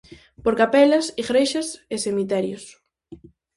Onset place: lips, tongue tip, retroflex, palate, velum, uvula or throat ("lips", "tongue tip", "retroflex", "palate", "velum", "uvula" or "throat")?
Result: lips